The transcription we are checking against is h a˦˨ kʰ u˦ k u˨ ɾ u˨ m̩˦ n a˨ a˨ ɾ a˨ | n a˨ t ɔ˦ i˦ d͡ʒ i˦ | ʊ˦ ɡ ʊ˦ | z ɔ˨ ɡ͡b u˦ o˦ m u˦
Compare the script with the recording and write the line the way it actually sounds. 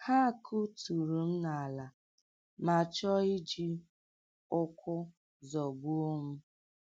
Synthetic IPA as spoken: h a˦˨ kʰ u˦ t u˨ ɾ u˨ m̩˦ n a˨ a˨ l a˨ | m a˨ t͡ʃ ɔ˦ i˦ d͡ʒ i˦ | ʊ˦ k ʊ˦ | z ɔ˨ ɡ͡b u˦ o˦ m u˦